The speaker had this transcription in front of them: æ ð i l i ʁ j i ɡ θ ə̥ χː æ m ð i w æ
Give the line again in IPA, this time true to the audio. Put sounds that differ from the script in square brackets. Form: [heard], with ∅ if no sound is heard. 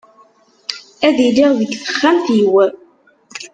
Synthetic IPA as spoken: æ ð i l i ʁ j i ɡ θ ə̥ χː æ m [θ] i w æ